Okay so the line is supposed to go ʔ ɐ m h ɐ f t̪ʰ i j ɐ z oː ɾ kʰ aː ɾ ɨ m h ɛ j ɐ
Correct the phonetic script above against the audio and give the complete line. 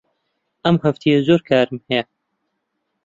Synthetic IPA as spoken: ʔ ɐ m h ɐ f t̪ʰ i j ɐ z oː ɾ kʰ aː ɾ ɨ m h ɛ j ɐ